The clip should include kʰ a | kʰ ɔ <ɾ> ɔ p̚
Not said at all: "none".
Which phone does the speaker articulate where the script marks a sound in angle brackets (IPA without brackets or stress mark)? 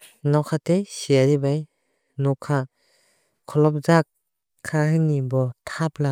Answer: l